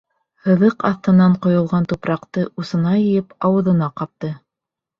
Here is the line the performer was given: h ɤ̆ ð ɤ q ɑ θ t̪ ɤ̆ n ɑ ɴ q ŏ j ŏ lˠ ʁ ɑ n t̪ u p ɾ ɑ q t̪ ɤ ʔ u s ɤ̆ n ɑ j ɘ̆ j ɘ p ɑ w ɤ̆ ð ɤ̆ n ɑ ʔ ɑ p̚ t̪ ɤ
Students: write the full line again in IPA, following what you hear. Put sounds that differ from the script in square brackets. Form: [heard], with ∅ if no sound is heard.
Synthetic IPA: h ɤ̆ ð ɤ q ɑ θ t̪ ɤ̆ n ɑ ɴ q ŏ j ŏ lˠ ʁ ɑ n t̪ u p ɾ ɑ q t̪ ɤ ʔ u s ɤ̆ n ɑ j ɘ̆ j ɘ p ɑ w ɤ̆ ð ɤ̆ n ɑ [q] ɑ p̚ t̪ ɤ